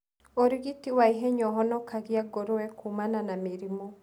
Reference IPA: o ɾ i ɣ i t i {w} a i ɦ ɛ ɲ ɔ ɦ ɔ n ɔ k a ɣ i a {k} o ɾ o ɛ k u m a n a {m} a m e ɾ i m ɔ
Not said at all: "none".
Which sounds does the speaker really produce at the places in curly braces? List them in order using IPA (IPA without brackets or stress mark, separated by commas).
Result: w, ɡ, n